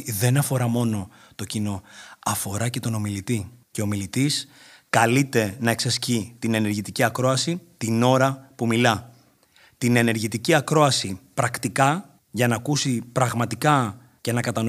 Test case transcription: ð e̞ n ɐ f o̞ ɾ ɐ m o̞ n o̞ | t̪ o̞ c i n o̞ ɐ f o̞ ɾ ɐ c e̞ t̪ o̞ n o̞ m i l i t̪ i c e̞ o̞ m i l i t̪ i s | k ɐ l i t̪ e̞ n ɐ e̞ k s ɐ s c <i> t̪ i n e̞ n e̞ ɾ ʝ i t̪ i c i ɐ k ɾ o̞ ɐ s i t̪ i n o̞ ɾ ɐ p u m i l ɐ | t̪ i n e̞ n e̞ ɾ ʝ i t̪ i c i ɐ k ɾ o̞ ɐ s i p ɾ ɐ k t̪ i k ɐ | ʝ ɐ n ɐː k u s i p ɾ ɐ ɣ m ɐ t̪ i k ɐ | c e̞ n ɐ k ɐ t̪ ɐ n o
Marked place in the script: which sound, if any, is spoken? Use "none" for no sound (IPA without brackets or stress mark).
i